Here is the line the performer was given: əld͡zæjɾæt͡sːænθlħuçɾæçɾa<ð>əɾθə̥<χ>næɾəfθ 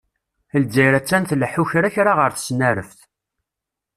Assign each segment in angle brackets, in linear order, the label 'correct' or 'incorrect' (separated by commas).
incorrect, incorrect